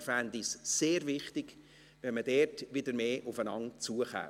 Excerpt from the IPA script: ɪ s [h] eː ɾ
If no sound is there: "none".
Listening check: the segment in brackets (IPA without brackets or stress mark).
s